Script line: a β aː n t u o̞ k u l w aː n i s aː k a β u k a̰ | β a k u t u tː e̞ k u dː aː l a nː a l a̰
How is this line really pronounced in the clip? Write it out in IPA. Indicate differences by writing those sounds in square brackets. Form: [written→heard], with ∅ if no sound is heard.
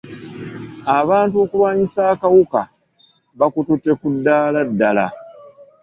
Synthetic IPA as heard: a β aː n t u o̞ k u l w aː [n→ɲ] i s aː k a [β→w] u k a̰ | β a k u t u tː e̞ k u dː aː l a [nː→dː] a l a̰